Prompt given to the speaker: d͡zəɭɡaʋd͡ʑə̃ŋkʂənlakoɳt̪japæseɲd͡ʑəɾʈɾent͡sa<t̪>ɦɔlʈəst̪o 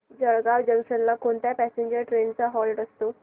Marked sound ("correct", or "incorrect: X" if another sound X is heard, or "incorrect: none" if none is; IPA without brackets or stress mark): incorrect: none